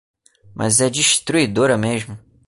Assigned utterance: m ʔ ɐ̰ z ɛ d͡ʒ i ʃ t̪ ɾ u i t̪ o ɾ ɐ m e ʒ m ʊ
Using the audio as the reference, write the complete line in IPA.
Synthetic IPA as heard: m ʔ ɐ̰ z ɛ d͡ʒ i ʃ t̪ ɾ u i d̪ o ɾ ɐ m e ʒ m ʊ